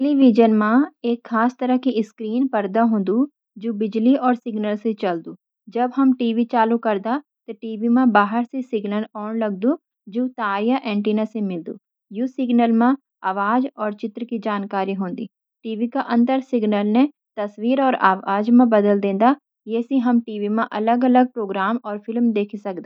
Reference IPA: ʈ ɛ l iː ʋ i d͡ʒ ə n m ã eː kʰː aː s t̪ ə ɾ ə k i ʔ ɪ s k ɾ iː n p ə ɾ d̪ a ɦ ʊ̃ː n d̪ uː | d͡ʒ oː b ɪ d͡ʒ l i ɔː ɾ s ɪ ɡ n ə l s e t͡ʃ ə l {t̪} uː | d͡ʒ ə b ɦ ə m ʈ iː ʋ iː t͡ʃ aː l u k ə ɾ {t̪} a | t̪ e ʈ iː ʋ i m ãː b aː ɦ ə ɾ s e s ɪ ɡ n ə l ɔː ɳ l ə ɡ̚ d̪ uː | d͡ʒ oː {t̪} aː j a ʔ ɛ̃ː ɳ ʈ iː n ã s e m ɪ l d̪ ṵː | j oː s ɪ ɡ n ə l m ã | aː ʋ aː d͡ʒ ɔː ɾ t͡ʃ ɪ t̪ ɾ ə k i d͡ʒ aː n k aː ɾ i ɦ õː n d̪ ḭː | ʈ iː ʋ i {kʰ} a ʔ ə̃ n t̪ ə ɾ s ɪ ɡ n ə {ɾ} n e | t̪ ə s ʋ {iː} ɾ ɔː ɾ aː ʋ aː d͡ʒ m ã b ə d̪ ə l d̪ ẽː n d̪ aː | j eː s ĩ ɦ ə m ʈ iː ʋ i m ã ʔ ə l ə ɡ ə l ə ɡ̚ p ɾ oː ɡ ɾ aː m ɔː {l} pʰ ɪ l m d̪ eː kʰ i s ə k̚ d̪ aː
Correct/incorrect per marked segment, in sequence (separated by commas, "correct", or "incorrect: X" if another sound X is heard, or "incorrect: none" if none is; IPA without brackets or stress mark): incorrect: d̪, incorrect: d̪, correct, incorrect: k, incorrect: l, correct, incorrect: ɾ